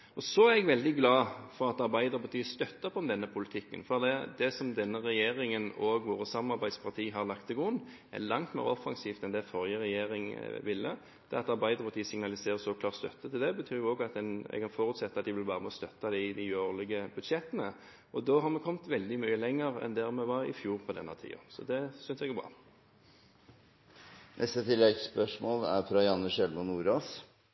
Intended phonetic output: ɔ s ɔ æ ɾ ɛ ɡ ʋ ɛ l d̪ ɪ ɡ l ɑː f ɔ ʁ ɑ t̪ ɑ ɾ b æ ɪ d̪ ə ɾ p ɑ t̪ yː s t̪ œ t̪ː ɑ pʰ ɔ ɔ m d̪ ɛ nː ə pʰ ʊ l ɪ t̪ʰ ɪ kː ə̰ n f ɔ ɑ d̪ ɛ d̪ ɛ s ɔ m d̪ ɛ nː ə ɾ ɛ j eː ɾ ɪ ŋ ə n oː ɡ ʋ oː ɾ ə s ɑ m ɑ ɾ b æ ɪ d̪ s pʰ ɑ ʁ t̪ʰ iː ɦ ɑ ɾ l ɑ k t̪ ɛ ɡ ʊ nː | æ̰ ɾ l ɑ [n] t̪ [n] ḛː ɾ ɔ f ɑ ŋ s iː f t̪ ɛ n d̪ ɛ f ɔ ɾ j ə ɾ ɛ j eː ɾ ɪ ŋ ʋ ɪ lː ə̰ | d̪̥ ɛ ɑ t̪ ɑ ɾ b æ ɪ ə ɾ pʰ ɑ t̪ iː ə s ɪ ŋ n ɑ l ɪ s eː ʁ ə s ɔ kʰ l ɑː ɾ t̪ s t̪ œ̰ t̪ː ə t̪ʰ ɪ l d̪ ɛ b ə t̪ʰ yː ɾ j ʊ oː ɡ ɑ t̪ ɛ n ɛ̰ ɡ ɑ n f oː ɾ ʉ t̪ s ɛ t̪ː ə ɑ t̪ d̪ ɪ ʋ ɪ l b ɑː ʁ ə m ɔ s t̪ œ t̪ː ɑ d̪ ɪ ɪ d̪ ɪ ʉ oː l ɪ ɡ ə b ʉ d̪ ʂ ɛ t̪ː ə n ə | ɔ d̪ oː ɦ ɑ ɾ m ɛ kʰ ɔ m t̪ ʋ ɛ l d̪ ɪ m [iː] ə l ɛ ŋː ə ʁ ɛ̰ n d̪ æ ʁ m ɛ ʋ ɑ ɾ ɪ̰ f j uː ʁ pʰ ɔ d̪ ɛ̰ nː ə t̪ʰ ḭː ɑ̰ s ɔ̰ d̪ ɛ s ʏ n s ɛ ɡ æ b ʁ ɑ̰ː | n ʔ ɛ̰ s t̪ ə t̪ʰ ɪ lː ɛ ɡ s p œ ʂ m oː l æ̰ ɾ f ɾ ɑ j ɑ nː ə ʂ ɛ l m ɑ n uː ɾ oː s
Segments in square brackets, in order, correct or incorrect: incorrect: ŋ, incorrect: m, incorrect: yː

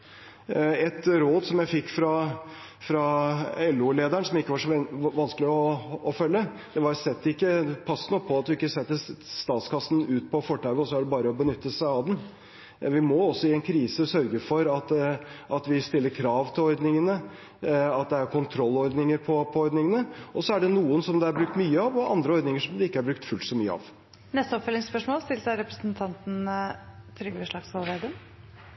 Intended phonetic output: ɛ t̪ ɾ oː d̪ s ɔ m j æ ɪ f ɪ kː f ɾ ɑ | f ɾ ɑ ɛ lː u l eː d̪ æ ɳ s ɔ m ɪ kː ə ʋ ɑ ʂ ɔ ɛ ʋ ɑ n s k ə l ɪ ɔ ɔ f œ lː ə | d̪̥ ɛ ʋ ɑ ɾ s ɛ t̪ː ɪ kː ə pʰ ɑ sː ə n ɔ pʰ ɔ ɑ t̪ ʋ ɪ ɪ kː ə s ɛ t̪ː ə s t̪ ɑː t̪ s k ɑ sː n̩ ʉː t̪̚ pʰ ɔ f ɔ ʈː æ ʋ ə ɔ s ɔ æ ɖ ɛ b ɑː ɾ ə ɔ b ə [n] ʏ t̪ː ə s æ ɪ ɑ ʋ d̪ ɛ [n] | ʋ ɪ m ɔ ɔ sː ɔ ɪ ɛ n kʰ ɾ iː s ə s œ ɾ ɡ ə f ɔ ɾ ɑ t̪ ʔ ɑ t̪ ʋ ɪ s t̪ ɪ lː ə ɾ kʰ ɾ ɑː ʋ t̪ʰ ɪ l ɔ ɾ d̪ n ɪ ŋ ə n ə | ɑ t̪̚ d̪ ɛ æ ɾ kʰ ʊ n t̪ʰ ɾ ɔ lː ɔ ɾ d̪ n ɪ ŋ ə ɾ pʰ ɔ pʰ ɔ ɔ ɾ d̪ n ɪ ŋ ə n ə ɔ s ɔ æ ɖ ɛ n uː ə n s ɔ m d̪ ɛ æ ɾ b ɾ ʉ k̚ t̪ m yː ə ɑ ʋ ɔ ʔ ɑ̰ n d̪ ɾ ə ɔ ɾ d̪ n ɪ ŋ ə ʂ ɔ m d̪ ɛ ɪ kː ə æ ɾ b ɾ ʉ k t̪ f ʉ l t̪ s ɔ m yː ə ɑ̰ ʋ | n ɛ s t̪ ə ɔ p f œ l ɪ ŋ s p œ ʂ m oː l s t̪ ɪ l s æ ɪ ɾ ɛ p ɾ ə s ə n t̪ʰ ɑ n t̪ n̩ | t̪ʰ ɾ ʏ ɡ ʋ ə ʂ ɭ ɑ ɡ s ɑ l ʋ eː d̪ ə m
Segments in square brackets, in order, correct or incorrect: correct, correct

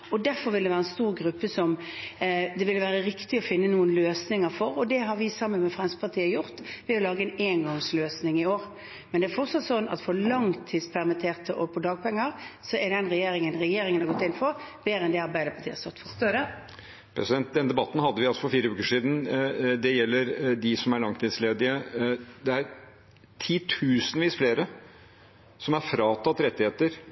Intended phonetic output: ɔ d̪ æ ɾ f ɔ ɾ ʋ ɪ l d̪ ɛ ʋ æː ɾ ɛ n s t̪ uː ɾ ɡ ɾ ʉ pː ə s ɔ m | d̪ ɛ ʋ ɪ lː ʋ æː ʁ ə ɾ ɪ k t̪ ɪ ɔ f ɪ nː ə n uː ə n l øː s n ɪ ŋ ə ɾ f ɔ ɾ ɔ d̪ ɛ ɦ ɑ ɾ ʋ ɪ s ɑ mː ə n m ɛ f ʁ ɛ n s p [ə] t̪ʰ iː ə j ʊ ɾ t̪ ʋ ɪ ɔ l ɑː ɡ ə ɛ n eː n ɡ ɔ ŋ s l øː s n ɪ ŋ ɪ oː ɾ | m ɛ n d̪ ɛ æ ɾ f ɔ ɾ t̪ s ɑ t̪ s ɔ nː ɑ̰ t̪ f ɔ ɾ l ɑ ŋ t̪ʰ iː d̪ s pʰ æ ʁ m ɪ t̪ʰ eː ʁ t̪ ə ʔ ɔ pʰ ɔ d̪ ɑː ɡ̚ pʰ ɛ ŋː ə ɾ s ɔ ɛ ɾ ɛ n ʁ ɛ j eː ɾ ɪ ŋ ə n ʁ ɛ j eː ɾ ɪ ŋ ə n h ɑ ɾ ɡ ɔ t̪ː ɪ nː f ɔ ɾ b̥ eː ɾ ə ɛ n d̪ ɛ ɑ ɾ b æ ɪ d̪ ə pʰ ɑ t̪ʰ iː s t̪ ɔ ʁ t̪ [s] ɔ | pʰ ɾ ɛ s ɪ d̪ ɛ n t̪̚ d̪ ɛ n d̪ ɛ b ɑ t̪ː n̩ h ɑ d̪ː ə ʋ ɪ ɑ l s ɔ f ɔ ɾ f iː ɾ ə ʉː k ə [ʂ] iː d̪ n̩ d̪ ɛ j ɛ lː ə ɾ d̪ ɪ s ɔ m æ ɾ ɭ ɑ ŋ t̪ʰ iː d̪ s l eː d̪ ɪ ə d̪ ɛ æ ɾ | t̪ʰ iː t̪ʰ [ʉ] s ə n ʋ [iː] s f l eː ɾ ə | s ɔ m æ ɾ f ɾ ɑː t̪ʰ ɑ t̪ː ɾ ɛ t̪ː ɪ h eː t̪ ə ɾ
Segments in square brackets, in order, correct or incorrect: incorrect: ɑ, incorrect: f, correct, incorrect: ʉː, correct

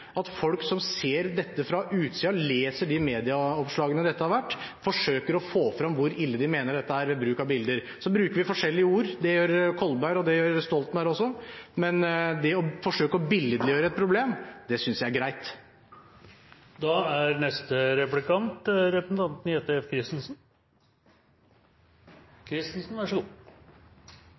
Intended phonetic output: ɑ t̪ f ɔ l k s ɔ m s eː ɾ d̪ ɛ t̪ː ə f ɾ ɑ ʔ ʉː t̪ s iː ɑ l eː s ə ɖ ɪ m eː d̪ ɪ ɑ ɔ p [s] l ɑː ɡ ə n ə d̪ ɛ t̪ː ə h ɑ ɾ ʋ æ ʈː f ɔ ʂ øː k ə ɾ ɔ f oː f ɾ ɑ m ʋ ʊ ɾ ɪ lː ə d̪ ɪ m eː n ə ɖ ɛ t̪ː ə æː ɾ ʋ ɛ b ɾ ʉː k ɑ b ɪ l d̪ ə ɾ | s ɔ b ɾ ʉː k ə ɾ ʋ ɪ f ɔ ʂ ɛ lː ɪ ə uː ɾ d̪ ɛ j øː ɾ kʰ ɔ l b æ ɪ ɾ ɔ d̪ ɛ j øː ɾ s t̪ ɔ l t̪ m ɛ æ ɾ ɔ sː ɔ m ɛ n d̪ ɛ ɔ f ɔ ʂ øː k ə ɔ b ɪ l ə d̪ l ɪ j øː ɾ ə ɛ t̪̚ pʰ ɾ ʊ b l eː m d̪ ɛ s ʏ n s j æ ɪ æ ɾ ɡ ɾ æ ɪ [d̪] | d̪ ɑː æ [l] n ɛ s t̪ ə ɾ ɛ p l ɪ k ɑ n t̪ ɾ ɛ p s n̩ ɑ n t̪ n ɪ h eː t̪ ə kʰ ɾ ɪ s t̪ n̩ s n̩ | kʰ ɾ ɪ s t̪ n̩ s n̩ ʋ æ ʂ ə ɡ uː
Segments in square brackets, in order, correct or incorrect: incorrect: ʂ, incorrect: t̪, incorrect: ɾ

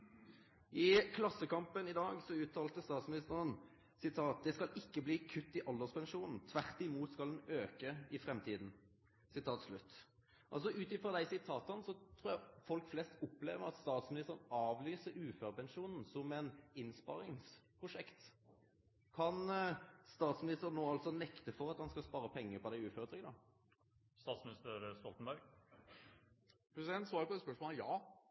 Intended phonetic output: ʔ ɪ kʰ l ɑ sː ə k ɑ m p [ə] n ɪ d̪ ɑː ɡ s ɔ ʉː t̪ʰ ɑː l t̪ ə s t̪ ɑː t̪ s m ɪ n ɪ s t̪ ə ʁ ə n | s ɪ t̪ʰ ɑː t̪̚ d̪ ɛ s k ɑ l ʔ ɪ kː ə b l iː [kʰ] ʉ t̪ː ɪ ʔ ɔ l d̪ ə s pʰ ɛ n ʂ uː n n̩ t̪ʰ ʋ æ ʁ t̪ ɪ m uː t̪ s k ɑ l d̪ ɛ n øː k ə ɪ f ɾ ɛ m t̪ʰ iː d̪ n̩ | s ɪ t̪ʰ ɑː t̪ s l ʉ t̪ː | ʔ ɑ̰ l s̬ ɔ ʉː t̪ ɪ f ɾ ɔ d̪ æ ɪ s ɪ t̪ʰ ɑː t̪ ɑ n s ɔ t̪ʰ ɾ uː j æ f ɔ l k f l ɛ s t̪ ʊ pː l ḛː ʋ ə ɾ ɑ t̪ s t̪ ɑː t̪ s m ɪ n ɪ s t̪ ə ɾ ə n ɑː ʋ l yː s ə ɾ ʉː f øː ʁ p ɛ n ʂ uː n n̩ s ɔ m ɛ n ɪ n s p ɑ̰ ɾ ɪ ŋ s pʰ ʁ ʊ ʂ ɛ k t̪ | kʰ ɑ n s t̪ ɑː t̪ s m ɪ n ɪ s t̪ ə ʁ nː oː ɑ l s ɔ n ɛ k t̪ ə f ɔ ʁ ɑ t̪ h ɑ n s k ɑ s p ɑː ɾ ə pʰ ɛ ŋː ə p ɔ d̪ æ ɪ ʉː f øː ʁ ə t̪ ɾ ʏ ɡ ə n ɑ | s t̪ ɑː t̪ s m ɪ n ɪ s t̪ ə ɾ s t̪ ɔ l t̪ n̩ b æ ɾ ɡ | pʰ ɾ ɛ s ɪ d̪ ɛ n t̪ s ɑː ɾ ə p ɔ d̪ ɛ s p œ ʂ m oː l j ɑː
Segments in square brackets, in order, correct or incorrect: correct, correct

